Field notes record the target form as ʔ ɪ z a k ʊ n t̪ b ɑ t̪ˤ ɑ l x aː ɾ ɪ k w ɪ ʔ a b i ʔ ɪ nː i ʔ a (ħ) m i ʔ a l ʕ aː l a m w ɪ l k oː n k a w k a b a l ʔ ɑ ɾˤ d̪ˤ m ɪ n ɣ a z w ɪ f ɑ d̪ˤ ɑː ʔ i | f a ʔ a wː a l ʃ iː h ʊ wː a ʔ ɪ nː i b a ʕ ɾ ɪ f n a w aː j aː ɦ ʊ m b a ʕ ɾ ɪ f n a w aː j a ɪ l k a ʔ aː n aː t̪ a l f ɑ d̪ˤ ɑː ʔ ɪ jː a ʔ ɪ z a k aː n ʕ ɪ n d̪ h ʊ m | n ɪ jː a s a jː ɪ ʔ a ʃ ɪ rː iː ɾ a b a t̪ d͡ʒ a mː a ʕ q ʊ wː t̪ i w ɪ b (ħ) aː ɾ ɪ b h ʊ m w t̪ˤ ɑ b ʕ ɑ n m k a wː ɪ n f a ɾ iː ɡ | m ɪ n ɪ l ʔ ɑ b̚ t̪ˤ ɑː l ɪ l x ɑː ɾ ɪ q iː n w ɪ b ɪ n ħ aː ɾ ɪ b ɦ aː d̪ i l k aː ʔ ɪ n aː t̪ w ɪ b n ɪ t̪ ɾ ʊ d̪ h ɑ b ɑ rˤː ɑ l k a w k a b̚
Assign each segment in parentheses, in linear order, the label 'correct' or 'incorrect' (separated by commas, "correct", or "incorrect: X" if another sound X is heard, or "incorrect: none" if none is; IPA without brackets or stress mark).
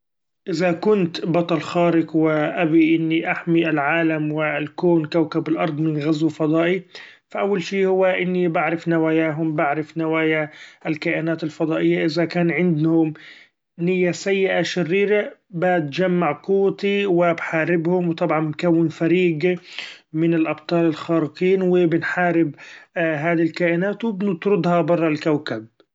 correct, correct